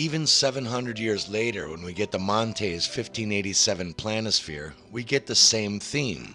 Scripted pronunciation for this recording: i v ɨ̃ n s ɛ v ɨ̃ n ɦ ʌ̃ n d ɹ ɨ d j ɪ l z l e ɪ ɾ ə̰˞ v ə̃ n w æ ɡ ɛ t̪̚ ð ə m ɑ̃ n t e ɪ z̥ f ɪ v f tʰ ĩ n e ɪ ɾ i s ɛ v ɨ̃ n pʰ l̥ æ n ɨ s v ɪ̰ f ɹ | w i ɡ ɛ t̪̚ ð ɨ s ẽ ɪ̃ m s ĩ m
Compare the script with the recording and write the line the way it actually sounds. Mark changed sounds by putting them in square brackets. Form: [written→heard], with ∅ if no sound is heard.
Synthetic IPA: i v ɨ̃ n s ɛ v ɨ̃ n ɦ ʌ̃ n d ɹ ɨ d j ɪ [l→ɹ] z l e ɪ ɾ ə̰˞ [v→w] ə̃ n w [æ→i] ɡ ɛ t̪̚ ð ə m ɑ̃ n [t→tʰ] e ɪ z̥ f ɪ [v→∅] f tʰ ĩ n e ɪ ɾ i s ɛ v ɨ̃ n pʰ l̥ æ n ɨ s [v→f] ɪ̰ [f→∅] ɹ | w i ɡ ɛ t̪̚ ð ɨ s ẽ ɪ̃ m [s→θ] ĩ m